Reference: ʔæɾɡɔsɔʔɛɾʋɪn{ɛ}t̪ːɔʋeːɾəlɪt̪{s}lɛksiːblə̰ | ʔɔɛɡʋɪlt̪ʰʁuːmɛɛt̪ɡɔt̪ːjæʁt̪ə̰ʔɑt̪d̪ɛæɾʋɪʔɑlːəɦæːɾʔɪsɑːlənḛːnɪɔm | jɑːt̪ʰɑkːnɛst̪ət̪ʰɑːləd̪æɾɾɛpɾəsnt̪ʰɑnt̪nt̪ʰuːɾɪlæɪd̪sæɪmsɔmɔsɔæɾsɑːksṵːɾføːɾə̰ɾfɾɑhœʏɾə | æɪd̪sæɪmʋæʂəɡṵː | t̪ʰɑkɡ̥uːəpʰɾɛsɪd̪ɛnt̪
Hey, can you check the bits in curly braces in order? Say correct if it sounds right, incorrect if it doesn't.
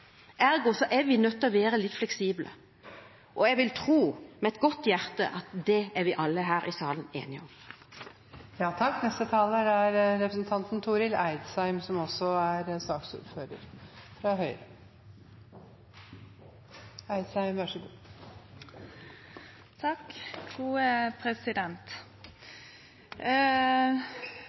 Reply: incorrect, incorrect

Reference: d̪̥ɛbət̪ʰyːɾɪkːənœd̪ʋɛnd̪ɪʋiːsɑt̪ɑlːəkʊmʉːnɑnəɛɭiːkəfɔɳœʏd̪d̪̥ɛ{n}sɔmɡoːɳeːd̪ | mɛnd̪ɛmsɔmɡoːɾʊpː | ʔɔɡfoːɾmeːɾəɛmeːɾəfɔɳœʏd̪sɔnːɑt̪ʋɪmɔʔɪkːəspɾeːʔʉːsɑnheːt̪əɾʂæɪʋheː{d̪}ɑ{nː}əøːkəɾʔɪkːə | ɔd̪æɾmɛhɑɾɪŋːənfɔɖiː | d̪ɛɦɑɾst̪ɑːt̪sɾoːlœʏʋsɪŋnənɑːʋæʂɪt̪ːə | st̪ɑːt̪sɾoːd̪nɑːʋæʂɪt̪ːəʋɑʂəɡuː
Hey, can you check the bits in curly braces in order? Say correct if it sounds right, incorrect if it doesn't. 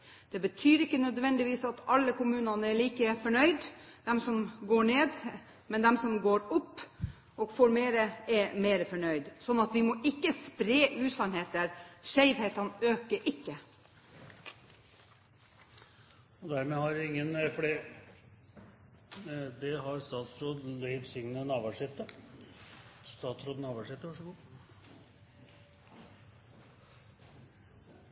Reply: incorrect, incorrect, incorrect

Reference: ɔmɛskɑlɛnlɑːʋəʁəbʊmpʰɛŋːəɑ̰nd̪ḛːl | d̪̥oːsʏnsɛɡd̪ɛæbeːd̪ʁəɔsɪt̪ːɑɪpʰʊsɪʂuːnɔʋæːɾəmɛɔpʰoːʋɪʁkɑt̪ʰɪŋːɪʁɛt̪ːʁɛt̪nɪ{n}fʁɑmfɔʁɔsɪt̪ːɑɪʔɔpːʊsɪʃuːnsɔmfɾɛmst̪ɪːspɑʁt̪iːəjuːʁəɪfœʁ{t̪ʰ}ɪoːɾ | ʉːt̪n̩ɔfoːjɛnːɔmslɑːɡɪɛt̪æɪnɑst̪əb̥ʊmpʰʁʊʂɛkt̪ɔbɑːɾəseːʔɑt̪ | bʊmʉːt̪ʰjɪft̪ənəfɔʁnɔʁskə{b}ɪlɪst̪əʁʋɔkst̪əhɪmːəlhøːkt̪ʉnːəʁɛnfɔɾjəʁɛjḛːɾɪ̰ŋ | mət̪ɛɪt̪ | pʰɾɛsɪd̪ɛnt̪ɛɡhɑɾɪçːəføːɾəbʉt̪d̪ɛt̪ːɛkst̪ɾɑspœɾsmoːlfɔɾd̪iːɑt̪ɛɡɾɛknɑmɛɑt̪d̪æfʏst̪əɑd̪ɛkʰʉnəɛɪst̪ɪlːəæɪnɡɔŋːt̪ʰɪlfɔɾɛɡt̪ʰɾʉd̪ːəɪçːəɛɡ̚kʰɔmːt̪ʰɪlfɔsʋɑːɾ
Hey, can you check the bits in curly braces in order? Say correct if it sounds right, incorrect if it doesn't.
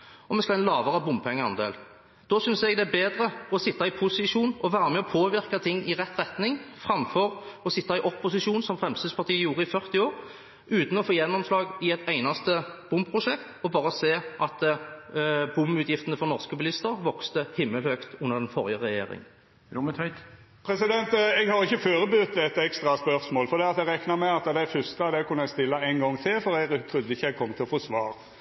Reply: incorrect, incorrect, correct

